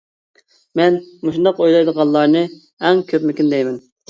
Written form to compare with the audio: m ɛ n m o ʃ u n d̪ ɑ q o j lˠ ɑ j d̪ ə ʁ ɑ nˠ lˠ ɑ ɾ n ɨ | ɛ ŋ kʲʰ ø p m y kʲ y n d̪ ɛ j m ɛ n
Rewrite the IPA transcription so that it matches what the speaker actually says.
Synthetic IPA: m ɛ n m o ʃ u n d̪ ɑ q o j lˠ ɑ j d̪ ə ʁ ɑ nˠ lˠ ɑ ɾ n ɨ | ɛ ŋ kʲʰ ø p m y kʲ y n d̪ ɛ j m ɛ n

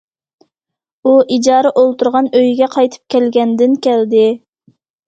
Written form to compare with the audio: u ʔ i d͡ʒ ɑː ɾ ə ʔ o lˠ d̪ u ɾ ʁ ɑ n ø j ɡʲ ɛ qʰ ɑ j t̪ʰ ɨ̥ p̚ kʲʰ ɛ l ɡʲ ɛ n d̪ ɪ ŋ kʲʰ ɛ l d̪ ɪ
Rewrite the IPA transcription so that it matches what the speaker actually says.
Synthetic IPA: u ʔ i d͡ʒ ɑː ɾ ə ʔ o lˠ t̪ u ɾ ʁ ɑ n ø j ɡʲ ɛ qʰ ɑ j t̪ʰ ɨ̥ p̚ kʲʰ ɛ l ɡʲ ɛ n d̪ ɪ n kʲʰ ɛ l d̪ ɪ

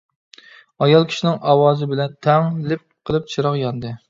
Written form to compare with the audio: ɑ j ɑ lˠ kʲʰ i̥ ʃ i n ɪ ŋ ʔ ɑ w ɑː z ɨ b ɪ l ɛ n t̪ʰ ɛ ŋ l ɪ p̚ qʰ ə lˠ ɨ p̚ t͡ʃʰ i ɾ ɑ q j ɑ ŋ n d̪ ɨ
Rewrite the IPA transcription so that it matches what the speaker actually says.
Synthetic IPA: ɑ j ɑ lˠ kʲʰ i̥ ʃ i n ɪ ŋ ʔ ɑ w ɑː z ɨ b ɪ l ɛ n t̪ʰ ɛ ŋ l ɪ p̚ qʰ ə lˠ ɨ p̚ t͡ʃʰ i ɾ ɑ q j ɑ n d̪ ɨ

